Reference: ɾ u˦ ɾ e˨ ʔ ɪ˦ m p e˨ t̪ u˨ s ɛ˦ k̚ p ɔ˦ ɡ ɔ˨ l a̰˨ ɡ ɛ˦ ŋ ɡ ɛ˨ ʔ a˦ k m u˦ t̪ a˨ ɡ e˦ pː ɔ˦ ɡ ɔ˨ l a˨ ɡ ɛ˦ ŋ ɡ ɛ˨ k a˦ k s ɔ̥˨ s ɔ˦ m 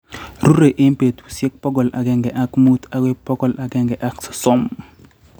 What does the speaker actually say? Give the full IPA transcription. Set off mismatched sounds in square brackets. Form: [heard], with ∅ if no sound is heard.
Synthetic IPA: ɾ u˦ ɾ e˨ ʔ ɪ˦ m p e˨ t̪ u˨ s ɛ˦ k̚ p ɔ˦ ɡ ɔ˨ l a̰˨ ɡ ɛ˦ ŋ ɡ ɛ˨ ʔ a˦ k m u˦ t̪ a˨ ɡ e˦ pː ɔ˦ ɡ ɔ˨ l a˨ ɡ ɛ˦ ŋ ɡ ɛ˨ [ʔ] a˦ k s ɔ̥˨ s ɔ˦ m